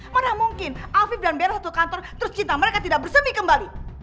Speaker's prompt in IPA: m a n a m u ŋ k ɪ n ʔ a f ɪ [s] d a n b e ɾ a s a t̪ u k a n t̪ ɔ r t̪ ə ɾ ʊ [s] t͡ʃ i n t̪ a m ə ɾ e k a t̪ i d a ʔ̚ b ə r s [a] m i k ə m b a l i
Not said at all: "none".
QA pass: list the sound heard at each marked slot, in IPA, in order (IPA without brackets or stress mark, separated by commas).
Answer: f, s, ə